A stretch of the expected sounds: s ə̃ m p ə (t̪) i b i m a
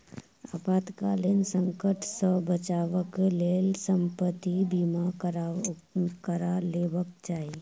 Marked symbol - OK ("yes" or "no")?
yes